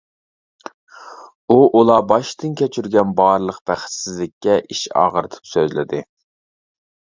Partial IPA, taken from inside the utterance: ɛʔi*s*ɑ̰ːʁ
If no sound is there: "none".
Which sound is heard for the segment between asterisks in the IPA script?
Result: ʃ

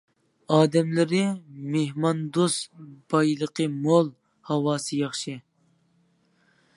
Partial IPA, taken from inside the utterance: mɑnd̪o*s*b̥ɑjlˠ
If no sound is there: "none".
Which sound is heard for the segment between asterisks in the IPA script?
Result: s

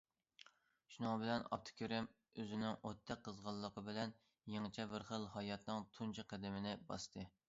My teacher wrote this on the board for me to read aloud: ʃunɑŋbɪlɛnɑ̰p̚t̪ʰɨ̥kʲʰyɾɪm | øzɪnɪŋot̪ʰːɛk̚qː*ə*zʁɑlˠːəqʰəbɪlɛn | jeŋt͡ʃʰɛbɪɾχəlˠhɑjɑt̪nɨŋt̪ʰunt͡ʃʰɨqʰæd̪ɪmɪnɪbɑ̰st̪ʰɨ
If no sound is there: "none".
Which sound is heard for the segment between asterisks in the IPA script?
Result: ə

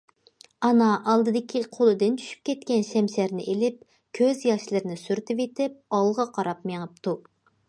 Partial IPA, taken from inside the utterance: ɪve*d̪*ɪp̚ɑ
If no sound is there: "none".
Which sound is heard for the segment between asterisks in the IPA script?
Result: t̪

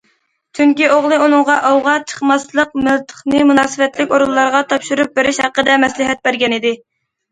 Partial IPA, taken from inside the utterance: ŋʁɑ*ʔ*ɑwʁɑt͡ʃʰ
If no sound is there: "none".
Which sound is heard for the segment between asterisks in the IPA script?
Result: ʔ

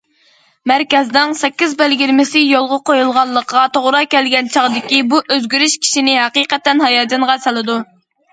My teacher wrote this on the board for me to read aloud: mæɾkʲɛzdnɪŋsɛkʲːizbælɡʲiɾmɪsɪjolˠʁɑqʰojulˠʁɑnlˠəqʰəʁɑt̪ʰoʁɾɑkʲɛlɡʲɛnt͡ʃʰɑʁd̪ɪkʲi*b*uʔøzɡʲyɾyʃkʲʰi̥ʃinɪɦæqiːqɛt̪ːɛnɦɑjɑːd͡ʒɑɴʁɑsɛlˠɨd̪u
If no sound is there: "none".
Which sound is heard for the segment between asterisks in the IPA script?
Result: b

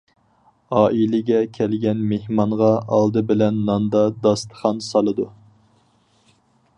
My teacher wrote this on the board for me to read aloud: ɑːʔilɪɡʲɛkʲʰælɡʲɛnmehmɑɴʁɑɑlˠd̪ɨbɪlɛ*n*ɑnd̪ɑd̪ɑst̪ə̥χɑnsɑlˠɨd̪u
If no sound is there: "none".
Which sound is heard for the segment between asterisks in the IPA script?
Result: nː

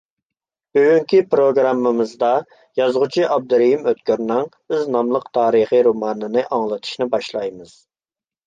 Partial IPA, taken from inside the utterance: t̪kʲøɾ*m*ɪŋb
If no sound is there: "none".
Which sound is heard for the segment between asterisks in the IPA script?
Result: n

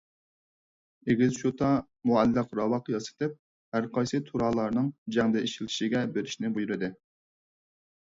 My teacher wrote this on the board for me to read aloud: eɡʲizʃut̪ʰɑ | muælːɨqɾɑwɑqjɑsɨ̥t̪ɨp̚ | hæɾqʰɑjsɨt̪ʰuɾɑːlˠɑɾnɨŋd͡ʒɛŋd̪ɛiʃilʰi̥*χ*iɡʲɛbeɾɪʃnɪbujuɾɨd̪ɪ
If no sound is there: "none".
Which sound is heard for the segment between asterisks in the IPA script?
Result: ʃ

